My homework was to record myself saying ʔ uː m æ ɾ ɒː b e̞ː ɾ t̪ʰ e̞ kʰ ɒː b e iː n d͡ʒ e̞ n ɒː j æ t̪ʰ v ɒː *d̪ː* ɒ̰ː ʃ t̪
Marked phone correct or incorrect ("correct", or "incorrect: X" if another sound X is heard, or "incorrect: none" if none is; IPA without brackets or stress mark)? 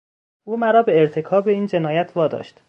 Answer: incorrect: d̪